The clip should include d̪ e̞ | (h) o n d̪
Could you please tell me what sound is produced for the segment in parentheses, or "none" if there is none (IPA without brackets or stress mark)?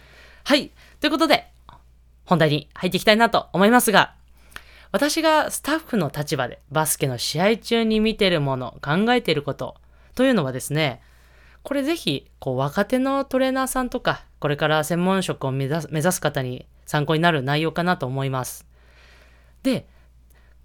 h